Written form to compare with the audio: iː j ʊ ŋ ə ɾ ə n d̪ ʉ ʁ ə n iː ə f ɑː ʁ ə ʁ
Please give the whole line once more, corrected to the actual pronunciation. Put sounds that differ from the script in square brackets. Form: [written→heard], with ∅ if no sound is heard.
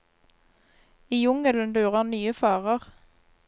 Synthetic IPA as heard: iː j ʊ ŋ ə [ɾ→l] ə n d̪ [ʉ→ʉː] ʁ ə n [iː→yː] ə f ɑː ʁ ə ʁ

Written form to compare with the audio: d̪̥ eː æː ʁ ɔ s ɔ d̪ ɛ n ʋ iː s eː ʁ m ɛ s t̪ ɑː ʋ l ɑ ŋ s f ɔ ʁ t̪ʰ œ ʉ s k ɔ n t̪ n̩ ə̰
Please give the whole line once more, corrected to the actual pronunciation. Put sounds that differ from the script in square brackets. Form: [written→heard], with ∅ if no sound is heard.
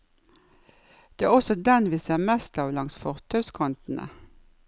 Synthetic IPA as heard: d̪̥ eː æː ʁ ɔ s ɔ d̪ ɛ n ʋ iː s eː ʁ m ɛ s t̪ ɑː ʋ l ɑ ŋ s f ɔ ʁ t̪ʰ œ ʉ s [k→kʰ] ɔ n t̪ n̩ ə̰

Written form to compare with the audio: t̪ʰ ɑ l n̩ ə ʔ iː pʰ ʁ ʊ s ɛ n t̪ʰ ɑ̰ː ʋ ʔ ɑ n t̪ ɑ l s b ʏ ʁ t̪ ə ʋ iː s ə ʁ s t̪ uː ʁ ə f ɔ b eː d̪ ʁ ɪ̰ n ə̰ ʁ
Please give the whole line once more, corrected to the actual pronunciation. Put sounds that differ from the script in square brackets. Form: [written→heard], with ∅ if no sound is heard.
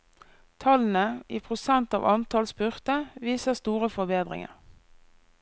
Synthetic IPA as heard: t̪ʰ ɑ l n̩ ə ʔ iː pʰ ʁ ʊ s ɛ n [t̪ʰ→t̪] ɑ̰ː ʋ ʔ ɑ n t̪ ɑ l s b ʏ ʁ t̪ ə ʋ iː s ə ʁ s t̪ uː ʁ ə f ɔ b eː d̪ ʁ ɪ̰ [n→ŋ] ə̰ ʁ

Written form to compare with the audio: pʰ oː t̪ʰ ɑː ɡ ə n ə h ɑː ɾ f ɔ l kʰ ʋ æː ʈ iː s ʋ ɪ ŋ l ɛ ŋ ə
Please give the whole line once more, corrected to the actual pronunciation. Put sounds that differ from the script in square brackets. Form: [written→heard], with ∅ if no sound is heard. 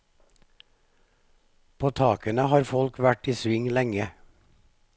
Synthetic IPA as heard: pʰ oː t̪ʰ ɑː [ɡ→k] ə n ə h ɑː ɾ f ɔ l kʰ ʋ [æː→æ] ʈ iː s ʋ ɪ ŋ l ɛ ŋ ə

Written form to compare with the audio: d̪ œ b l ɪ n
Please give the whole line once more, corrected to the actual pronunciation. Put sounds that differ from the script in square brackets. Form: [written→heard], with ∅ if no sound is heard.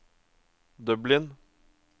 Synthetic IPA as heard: d̪ œ b l ɪ n

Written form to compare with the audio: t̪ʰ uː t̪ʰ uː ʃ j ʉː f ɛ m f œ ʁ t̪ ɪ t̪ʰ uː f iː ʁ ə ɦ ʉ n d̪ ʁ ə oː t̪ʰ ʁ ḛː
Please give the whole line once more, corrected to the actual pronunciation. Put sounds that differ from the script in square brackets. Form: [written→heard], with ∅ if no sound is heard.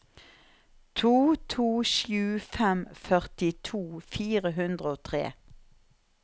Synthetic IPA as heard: t̪ʰ uː t̪ʰ uː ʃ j ʉː f ɛ m f œ ʁ t̪ ɪ t̪ʰ uː f iː ʁ ə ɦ ʉ n d̪ ʁ ə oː t̪ʰ ʁ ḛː

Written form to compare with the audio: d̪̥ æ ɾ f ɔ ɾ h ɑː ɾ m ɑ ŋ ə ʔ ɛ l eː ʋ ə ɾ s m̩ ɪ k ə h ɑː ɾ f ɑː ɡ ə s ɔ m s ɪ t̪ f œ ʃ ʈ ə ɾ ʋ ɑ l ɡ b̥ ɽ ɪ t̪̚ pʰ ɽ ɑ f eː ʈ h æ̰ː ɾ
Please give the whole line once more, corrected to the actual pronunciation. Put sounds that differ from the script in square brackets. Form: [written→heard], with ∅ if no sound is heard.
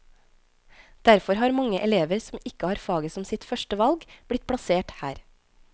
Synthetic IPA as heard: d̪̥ æ ɾ f ɔ ɾ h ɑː ɾ m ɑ ŋ ə ʔ ɛ l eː ʋ ə ɾ s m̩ ɪ k ə h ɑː ɾ f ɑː ɡ ə s ɔ m s ɪ t̪ f œ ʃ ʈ ə [ɾ→∅] ʋ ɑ l ɡ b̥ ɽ ɪ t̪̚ pʰ ɽ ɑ [f→s] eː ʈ h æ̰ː ɾ

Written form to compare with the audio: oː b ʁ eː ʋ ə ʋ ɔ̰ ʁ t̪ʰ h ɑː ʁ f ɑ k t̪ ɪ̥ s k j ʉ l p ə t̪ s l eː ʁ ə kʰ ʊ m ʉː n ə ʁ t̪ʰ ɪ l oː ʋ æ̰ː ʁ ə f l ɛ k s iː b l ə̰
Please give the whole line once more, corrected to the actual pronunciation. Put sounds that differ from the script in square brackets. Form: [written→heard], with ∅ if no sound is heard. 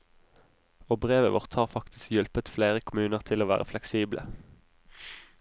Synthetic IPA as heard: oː b ʁ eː ʋ ə ʋ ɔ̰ ʁ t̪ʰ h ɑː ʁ f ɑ k t̪ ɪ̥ s k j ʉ l p ə t̪ [s→f] l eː ʁ ə kʰ ʊ m ʉː n ə ʁ t̪ʰ ɪ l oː ʋ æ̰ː ʁ ə f l ɛ k s iː b l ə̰

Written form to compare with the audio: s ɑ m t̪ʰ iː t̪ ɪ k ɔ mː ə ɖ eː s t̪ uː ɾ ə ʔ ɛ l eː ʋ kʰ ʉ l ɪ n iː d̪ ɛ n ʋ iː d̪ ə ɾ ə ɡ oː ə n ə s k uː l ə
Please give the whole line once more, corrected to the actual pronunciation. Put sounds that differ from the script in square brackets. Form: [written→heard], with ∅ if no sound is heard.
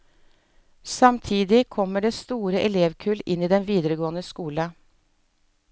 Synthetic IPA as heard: s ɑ m t̪ʰ iː [t̪→d̪] ɪ [k→kʰ] ɔ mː ə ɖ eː s t̪ uː ɾ ə ʔ ɛ l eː ʋ kʰ ʉ l ɪ n iː d̪ ɛ n ʋ iː d̪ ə ɾ ə ɡ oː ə n ə s k uː l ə

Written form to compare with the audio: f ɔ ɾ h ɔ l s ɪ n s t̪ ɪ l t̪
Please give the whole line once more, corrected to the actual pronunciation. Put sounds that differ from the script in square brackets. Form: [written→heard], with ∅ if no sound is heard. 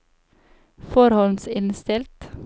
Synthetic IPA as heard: f ɔ ɾ h ɔ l s ɪ n s t̪ ɪ l t̪

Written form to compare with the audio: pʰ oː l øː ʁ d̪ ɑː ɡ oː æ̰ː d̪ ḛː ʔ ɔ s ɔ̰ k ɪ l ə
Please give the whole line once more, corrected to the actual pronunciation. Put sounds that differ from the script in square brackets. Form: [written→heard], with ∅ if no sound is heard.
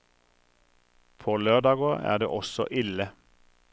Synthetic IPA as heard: pʰ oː l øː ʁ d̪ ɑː ɡ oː æ̰ː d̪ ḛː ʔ ɔ s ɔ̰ [k→ʔ] ɪ l ə

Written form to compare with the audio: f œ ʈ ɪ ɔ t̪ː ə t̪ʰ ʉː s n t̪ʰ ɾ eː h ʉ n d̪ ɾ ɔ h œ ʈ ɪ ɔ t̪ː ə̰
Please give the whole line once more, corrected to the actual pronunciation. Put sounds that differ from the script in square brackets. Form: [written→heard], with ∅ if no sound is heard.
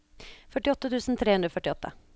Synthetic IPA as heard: f œ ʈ ɪ ɔ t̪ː ə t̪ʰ ʉː s n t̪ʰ ɾ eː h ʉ n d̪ ɾ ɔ [h→f] œ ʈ ɪ ɔ t̪ː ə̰

